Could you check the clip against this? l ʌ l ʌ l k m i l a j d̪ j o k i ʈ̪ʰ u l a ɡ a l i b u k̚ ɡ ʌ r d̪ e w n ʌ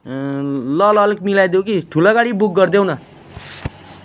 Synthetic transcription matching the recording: l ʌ l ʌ l k m i l a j d̪ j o k i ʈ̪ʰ u l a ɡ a ɽ i b u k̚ ɡ ʌ r d̪ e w n ʌ